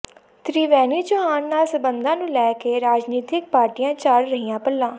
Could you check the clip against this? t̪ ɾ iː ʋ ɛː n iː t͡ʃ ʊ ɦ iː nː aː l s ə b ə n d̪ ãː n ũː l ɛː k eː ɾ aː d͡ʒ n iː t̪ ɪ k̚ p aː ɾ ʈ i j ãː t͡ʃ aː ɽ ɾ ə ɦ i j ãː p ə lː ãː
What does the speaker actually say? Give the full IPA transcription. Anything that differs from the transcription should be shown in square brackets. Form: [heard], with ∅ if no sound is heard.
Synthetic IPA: t̪ ɾ iː ʋ ɛː n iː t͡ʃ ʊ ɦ [aː] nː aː l s ə b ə n d̪ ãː n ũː l ɛː k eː ɾ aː d͡ʒ n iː t̪ ɪ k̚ p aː ɾ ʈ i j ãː t͡ʃ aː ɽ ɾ ə ɦ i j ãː p ə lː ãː